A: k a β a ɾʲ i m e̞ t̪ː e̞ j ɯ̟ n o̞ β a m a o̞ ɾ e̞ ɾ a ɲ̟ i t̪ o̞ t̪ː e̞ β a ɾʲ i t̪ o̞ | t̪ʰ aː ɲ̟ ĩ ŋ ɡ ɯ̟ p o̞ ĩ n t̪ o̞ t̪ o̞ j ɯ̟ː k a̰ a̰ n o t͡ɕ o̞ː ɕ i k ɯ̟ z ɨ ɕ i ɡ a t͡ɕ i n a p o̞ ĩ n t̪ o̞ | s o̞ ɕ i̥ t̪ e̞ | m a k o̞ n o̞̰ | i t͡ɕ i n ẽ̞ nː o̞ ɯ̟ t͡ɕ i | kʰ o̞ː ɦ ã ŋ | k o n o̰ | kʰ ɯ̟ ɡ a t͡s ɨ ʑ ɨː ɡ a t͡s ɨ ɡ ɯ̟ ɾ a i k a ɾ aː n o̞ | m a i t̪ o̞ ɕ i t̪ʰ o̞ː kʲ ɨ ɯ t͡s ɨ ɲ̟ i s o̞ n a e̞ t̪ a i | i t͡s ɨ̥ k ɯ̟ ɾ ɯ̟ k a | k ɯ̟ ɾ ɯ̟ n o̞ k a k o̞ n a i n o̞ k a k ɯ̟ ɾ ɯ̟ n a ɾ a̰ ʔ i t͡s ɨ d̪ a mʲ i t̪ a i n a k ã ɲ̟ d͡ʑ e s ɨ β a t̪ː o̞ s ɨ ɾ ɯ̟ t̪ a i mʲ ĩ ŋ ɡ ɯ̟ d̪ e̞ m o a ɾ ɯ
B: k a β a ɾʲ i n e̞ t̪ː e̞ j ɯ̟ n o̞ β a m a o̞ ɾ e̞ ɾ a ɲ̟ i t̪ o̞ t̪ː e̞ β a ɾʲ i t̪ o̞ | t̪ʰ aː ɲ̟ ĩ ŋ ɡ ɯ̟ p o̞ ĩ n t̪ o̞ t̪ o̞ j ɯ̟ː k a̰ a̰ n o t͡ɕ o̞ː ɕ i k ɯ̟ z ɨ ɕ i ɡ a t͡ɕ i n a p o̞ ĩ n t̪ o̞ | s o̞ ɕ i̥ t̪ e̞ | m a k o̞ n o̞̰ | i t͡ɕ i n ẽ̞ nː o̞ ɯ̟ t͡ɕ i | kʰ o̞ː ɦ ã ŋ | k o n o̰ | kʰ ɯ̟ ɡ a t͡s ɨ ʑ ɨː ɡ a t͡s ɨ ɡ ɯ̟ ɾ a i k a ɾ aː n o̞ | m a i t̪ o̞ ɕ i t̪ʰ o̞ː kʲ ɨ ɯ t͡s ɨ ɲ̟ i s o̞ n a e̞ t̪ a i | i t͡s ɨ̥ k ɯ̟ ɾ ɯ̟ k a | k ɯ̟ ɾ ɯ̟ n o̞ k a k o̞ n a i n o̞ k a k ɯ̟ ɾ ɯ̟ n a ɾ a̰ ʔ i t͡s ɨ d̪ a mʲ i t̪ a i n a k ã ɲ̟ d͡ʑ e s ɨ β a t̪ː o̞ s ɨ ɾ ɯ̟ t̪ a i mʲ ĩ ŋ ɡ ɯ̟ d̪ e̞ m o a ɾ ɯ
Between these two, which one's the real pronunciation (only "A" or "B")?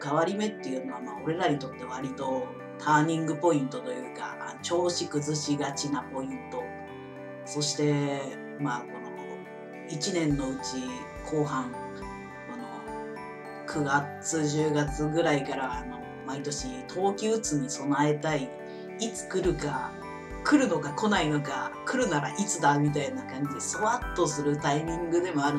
A